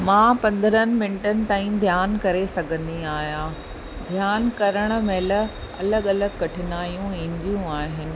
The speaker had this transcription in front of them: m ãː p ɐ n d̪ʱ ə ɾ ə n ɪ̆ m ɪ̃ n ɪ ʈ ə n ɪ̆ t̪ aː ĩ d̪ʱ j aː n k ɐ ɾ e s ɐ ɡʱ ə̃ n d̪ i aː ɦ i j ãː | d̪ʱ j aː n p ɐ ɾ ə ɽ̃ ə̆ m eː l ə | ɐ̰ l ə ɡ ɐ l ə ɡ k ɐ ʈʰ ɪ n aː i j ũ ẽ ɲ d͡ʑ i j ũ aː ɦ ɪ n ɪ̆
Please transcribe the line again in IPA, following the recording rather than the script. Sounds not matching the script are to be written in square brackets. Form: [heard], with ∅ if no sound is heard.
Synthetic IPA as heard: m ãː p [ɐ̃] n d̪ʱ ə ɾ ə n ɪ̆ m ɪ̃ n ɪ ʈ ə n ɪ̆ t̪ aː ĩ d̪ʱ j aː n k ɐ ɾ e s ɐ ɡʱ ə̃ n d̪ i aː ɦ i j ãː | d̪ʱ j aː n [k] ɐ ɾ ə ɽ̃ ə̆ m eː l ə | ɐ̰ l ə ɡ ɐ l ə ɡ k ɐ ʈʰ ɪ n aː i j ũ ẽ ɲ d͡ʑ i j ũ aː ɦ ɪ n ɪ̆

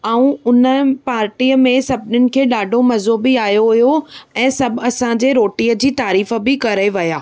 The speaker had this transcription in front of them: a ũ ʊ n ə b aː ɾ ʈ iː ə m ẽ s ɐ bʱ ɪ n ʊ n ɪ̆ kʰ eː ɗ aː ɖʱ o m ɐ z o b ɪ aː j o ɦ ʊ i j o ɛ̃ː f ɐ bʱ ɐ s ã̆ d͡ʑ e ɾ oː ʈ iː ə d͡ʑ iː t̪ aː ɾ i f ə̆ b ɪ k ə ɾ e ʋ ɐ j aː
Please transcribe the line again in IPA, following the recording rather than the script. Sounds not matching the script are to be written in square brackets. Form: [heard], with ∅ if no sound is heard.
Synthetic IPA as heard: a ũ ʊ n ə [p] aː ɾ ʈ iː ə m ẽ s ɐ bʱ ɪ n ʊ n ɪ̆ kʰ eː ɗ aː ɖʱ o m ɐ z o b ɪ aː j o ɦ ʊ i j o ɛ̃ː [s] ɐ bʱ ɐ s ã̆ d͡ʑ e ɾ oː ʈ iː ə d͡ʑ iː t̪ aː ɾ [iː] f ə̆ b ɪ k [ɐ] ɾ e ʋ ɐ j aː

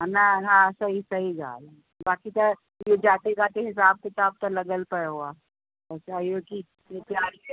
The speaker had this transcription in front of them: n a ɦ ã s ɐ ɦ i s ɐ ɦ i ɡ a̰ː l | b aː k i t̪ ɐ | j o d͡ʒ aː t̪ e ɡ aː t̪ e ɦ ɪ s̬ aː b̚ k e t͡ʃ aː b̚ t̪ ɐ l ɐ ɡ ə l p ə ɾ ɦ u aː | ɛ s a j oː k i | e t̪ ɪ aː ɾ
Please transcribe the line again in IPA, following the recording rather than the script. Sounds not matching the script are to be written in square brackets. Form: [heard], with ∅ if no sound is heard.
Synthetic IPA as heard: n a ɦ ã s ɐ ɦ i s ɐ ɦ i ɡ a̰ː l | b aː k i t̪ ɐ | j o d͡ʒ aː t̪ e ɡ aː t̪ e ɦ ɪ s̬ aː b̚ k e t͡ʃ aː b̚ t̪ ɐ l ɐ ɡ ə l p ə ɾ ɦ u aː | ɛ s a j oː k i | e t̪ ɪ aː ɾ

